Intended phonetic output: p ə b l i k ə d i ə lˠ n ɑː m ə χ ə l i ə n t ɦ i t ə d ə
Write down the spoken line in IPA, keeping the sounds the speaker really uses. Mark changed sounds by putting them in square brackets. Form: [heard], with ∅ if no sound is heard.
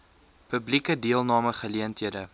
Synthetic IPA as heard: p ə b l i k ə d i ə lˠ n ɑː m ə χ ə l i ə n t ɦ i [∅] ə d ə